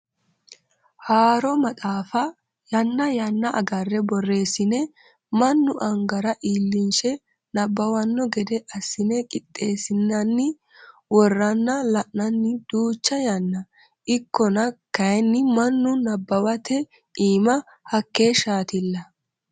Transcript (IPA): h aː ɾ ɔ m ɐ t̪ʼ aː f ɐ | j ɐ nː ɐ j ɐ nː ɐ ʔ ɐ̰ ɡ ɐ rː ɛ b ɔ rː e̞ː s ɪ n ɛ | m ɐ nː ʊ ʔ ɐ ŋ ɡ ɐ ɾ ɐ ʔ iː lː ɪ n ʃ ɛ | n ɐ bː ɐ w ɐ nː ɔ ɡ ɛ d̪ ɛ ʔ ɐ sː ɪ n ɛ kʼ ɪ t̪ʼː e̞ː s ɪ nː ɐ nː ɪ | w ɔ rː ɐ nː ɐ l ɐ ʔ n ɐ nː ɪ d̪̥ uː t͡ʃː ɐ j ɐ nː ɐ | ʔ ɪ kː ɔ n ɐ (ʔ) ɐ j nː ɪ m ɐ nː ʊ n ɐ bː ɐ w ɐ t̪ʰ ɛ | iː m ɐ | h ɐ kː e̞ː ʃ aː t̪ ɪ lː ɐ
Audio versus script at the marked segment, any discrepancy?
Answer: yes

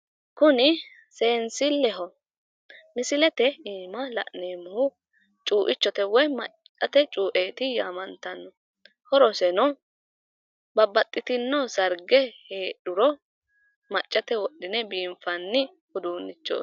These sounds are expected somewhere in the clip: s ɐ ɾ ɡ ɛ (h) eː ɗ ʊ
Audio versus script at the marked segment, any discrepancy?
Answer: no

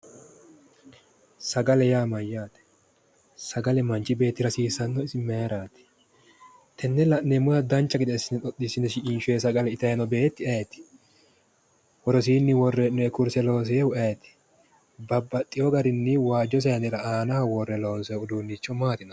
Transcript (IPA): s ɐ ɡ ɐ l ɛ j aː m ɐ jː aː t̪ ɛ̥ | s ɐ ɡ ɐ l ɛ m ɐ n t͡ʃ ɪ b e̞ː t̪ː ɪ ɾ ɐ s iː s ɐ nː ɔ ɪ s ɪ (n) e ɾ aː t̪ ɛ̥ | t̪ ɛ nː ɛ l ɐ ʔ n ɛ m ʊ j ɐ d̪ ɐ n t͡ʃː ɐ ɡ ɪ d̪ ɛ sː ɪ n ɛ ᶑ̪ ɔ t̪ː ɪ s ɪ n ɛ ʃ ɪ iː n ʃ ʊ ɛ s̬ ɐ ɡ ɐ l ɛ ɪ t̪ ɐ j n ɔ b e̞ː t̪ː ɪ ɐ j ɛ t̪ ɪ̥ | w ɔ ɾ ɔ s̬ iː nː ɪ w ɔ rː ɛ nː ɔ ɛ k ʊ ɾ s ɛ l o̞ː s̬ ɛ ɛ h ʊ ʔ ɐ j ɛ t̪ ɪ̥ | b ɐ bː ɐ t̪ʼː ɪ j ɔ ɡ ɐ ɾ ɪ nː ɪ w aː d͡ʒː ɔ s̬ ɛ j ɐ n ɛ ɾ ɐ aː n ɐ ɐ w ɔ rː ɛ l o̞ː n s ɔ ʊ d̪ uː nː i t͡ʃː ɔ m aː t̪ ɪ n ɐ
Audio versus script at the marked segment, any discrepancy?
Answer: yes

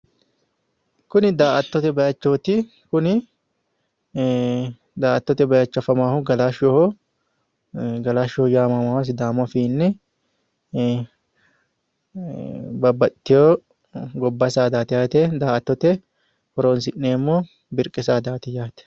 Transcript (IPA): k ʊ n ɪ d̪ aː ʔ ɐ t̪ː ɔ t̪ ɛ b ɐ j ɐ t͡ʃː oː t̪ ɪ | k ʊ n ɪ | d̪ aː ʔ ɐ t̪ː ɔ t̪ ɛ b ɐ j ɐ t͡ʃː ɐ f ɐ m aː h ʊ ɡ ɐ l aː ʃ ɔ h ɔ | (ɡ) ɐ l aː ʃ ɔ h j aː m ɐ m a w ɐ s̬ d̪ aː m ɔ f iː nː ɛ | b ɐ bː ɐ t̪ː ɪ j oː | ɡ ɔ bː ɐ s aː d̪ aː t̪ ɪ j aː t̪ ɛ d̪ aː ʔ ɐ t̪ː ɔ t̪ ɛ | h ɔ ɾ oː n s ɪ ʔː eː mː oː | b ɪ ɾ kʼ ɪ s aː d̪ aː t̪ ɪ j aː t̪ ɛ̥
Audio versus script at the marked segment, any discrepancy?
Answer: no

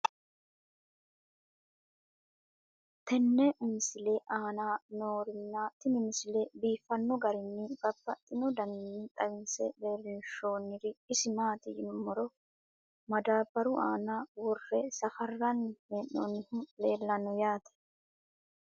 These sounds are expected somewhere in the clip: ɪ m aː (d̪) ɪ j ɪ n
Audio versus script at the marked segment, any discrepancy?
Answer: yes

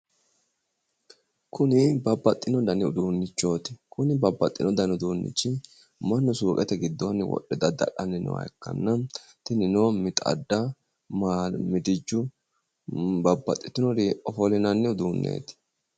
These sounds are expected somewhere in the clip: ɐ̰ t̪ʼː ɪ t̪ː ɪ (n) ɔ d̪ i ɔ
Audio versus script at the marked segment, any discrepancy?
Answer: no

